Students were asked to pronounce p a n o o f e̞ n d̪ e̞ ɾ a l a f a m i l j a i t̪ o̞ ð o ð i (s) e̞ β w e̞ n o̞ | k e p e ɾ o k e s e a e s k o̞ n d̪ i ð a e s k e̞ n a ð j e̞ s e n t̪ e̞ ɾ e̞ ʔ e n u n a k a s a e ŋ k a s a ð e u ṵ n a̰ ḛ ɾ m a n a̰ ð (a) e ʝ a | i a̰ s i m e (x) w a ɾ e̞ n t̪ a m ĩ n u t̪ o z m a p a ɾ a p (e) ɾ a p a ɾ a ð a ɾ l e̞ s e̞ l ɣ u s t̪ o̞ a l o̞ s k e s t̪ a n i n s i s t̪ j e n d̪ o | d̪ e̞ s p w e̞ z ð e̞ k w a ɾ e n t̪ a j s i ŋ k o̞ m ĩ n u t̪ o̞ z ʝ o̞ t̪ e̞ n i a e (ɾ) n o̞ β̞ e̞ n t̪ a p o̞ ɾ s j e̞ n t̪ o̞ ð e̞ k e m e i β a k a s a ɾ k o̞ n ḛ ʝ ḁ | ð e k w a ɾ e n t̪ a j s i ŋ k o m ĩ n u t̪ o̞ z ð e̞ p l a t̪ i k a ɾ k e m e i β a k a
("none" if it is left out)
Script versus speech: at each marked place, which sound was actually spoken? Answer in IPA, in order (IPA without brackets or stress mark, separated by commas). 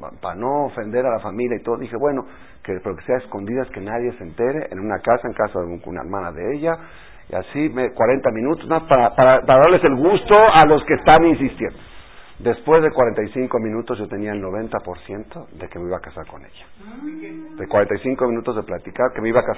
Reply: x, e, k, a, l